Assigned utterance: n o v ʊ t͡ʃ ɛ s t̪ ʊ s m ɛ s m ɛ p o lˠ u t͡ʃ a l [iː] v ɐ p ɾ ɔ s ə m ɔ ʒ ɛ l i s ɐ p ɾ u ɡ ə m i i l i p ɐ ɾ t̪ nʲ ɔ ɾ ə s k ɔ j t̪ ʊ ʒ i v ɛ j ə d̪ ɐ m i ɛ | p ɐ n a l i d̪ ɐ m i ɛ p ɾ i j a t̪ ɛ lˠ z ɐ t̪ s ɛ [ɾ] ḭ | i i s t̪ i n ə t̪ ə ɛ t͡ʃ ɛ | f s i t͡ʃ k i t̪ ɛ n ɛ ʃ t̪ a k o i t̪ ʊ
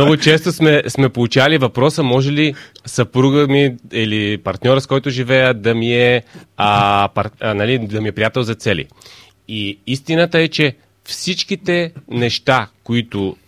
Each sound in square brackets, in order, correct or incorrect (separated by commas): incorrect, incorrect